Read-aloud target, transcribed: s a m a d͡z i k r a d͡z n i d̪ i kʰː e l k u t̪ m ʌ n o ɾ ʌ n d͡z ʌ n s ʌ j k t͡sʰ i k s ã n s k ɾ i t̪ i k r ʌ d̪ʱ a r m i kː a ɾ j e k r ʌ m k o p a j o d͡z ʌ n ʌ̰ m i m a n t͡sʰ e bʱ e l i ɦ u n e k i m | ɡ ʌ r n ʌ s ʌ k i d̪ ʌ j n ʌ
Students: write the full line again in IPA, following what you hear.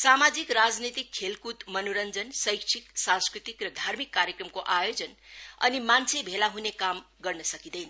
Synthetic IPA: s a m a d͡z i k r a d͡z n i t̪ i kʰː e l k u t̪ m ʌ n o ɾ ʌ n d͡z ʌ n s ʌ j k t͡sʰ i k s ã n s k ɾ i t̪ i k r ʌ d̪ʱ a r m i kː a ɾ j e k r ʌ m k o ʔ a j o d͡z ʌ n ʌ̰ n i m a n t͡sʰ e bʱ e l a ɦ u n e k a m | ɡ ʌ r n ʌ s ʌ k i d̪ ʌ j n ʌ

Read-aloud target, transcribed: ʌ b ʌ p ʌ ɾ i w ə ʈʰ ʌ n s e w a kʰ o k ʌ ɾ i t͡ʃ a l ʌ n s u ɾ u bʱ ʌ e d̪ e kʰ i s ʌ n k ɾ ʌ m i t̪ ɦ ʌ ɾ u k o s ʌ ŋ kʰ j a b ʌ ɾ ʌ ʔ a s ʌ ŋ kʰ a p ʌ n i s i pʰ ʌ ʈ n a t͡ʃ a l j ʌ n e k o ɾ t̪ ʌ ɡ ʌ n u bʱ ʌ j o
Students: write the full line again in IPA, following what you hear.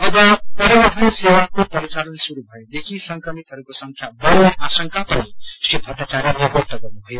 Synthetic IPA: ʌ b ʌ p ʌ ɾ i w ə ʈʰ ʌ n s e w a k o p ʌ ɾ i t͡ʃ a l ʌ n s u ɾ u bʱ ʌ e d̪ e kʰ i s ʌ ŋ k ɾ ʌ m i t̪ ɦ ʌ ɾ u k o s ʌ ŋ kʰ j a b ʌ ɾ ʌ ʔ a s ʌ ŋ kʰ a p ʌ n i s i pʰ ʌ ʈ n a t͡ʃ a ɾ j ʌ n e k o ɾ t̪ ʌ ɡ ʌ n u bʱ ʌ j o

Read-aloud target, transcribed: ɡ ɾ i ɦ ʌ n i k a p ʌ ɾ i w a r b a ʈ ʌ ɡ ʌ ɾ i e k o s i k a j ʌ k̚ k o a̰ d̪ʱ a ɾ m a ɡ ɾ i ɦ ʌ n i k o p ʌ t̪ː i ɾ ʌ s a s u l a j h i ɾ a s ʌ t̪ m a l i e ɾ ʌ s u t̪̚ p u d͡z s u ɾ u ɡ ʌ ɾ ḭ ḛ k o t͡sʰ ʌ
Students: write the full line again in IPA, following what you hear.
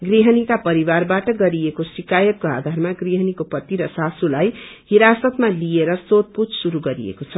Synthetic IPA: ɡ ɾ i ɦ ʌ n i k a p ʌ ɾ i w a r b a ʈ ʌ ɡ ʌ ɾ i e k o s i k a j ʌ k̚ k o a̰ d̪ʱ a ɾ m a ɡ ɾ i ɦ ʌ n i k o p ʌ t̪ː i ɾ ʌ s a s u l a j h i ɾ a s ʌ t̪ m a l i e ɾ ʌ s o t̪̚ p u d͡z s u ɾ u ɡ ʌ ɾ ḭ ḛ k o t͡sʰ ʌ

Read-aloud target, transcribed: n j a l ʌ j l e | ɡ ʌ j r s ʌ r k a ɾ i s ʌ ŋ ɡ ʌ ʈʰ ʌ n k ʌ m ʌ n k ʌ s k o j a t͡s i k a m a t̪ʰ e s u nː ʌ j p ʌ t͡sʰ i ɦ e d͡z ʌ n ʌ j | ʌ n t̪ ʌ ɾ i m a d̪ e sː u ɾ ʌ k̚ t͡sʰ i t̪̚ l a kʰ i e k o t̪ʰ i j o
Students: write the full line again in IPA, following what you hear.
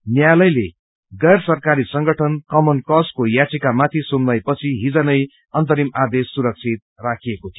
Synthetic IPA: n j a l ʌ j l e | ɡ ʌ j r s ʌ r k a ɾ i s ʌ ŋ ɡ ʌ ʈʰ ʌ n k ʌ m ʌ n k ʌ s k o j a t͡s i k a m a t̪ʰ i s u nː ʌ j p ʌ t͡sʰ i ɦ i d͡z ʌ n ʌ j | ʌ n t̪ ʌ ɾ i m a d̪ e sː u ɾ ʌ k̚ t͡sʰ i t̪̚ r a kʰ i e k o t̪ʰ i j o

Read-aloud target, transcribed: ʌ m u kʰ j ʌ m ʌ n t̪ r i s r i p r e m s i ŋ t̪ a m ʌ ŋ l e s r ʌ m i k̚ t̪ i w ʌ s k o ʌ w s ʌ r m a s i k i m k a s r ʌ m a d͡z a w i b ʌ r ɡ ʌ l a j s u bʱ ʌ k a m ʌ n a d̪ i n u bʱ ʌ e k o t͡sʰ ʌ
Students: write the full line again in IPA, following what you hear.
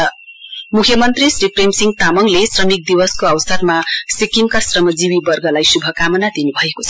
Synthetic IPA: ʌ m u kʰ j ʌ m ʌ n t̪ r i s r i p r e m s i ŋ t̪ a m ʌ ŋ l e s r ʌ m i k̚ d̪ i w ʌ s k o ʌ w s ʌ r m a s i k i m k a s r ʌ m ʌ d͡z i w i b ʌ r ɡ ʌ l a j s u bʱ ʌ k a m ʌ n a d̪ i n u bʱ ʌ e k o t͡sʰ ʌ

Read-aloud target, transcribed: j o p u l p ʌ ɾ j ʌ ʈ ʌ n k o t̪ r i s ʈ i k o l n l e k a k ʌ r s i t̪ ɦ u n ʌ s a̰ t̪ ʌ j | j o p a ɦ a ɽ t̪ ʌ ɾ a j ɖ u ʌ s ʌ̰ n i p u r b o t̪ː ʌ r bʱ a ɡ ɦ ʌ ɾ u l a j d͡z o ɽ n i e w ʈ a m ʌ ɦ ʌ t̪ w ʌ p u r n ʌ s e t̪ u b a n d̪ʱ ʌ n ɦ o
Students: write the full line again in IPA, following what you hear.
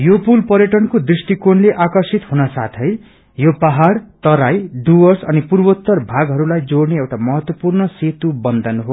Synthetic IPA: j o p u l p ʌ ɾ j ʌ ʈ ʌ n k o d̪ r i s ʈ i k o n l e ʔ a k ʌ r s i t̪ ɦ u n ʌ s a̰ t̪ʰ ʌ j | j o p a ɦ a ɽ t̪ ʌ ɾ a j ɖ u ʌ s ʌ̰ n i p u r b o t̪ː ʌ r bʱ a ɡ ɦ ʌ ɾ u l a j d͡z o ɽ n e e w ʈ a m ʌ ɦ ʌ t̪ w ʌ p u r n ʌ s e t̪ u b ʌ n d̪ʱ ʌ n ɦ o

